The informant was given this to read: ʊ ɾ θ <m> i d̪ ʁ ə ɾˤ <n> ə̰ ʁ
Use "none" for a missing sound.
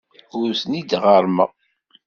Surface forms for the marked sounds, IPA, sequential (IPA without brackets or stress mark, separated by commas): n, m